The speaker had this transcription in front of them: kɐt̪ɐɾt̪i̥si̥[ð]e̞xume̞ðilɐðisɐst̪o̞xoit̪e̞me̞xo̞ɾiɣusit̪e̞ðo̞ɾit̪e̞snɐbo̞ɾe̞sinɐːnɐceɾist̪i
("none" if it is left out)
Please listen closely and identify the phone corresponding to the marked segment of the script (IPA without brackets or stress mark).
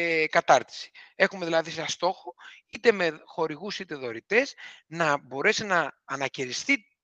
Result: none